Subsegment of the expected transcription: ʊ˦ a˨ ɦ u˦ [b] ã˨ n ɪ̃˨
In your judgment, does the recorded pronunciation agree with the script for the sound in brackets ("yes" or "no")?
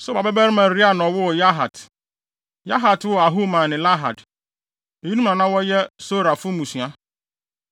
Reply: no